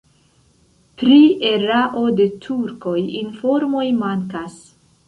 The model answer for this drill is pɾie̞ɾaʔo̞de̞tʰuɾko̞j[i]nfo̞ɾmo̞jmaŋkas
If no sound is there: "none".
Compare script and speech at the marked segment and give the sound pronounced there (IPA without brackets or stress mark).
i